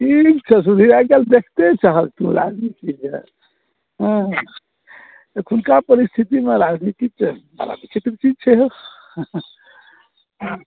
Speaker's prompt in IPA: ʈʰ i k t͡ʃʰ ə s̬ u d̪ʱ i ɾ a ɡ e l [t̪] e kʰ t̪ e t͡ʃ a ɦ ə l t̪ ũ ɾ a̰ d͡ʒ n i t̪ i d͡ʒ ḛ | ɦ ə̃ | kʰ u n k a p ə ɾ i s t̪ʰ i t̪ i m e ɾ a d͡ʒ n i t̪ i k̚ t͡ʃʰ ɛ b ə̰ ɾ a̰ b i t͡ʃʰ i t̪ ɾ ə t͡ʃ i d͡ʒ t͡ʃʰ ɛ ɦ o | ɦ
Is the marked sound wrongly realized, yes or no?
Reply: yes